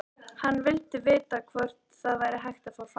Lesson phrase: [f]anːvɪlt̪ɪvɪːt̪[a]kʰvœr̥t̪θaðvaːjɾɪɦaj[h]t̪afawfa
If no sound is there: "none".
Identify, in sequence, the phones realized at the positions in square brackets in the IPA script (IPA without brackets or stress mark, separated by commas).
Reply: h, a, x